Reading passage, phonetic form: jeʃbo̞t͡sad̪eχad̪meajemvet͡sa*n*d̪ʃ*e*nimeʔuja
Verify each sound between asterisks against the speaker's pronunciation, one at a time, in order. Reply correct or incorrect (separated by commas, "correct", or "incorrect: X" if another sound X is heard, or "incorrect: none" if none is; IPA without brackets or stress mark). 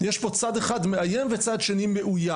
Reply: incorrect: none, correct